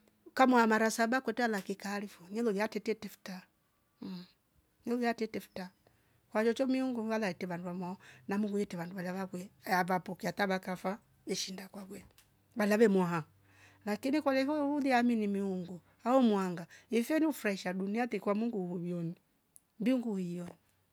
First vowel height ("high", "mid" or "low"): low